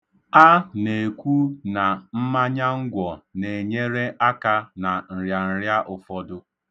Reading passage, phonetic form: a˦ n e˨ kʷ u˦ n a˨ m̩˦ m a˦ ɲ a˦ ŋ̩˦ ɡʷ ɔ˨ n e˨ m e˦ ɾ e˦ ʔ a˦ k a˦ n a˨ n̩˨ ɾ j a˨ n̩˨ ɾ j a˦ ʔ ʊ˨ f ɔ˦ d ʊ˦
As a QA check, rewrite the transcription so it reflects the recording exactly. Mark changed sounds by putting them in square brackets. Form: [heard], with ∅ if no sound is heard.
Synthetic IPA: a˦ n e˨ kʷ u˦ n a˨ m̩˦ m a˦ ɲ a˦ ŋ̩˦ ɡʷ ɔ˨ n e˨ [ɲ] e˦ ɾ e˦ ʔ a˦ k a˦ n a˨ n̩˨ ɾ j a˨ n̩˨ ɾ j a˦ ʔ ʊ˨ f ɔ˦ d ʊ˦